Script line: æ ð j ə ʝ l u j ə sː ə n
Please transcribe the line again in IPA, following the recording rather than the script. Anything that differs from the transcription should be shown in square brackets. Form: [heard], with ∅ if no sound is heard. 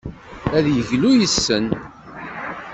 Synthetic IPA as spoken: æ ð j ə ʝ l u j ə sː ə n